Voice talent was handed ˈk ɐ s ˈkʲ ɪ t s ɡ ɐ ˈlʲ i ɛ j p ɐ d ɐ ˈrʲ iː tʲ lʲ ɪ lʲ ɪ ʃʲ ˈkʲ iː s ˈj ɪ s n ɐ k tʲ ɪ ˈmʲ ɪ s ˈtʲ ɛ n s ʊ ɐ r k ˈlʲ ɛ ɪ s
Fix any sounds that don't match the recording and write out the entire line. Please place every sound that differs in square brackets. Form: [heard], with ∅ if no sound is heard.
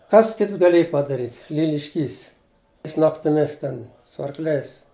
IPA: ˈk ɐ s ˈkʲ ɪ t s ɡ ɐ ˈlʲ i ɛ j p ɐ d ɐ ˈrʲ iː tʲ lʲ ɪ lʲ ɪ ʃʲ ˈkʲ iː s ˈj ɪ s n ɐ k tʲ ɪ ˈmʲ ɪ s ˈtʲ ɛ n s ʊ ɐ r k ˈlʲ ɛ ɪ s